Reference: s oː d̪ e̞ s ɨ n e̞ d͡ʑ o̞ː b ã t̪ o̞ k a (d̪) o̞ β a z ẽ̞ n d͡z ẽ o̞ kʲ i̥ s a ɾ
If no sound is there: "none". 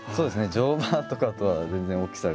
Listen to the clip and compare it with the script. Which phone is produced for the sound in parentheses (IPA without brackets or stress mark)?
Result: t̪